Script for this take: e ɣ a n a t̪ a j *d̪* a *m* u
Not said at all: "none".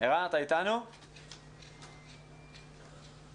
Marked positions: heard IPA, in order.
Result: t̪, n

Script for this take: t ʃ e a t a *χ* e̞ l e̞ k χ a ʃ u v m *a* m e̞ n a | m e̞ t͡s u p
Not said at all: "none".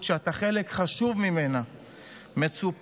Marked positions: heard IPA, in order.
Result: χ, i

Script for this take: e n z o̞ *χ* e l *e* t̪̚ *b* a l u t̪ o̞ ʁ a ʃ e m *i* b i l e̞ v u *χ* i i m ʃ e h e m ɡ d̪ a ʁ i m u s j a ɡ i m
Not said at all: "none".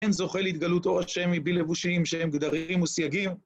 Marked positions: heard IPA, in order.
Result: χ, i, ɡ, i, ʃ

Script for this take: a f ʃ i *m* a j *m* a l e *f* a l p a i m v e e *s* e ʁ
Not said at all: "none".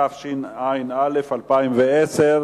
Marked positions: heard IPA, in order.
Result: n, n, f, s

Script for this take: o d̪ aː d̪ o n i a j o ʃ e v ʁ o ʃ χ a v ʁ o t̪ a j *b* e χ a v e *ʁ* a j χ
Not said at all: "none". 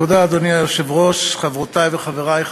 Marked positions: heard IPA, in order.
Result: v, ʁ

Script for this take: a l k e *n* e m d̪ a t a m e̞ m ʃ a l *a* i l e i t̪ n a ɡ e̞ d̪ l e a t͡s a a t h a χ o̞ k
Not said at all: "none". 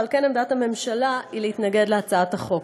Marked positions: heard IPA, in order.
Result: n, a

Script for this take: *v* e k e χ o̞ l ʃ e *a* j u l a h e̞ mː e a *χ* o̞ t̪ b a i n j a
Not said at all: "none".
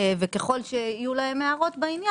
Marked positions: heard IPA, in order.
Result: v, i, ʁ

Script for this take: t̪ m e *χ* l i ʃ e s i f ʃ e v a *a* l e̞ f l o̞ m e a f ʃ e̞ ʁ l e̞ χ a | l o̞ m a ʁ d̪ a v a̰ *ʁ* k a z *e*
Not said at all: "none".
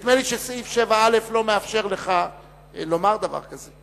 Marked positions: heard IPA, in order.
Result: none, a, ʁ, e

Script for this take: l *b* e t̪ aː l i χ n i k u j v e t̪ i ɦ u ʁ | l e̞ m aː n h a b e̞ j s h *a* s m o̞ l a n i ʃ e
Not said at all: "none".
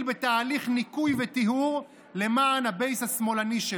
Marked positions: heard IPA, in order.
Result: b, a

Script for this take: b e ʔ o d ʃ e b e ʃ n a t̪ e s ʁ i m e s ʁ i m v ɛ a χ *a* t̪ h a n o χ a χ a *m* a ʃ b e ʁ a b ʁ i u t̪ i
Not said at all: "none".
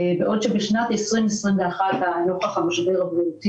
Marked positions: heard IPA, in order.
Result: a, m

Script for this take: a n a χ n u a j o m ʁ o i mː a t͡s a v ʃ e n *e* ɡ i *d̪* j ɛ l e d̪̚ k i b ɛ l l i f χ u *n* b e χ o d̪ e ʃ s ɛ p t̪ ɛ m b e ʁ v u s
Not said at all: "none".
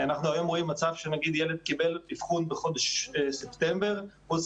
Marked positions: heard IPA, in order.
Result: a, d̪, n

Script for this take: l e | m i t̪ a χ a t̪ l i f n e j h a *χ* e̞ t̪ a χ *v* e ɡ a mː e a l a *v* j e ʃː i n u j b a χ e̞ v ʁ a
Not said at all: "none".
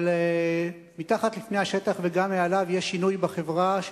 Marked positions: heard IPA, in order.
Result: ʃ, v, v

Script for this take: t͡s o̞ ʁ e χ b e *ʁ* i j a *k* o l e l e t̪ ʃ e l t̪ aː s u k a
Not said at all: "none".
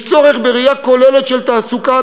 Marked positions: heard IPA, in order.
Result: ʁ, k

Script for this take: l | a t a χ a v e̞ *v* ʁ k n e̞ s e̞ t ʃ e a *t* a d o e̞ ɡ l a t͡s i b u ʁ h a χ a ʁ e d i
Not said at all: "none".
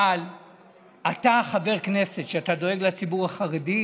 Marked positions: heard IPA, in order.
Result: none, t

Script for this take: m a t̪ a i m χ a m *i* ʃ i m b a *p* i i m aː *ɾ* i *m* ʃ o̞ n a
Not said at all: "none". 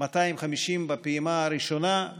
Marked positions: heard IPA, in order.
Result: i, p, ɾ, none

